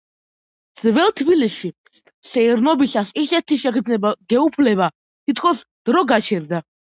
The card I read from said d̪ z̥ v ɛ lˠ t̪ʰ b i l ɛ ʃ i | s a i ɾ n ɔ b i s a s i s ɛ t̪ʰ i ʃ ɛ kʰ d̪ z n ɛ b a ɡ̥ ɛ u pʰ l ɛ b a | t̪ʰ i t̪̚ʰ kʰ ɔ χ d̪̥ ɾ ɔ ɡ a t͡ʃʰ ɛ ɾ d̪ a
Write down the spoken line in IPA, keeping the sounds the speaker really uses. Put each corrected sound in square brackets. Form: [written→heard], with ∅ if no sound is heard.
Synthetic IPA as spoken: d̪ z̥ v ɛ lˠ t̪ʰ b i l [ɛ→i] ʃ i | s [a→ɛ] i ɾ n ɔ b i s a s i s ɛ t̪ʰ i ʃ ɛ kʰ d̪ z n ɛ b a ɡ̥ ɛ u pʰ l ɛ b a | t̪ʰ i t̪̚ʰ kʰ ɔ [χ→s] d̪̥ ɾ ɔ ɡ a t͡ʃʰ ɛ ɾ d̪ a